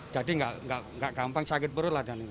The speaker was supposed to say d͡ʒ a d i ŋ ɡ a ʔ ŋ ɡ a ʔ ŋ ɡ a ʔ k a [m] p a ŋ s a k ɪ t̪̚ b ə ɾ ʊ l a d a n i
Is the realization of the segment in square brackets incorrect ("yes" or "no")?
no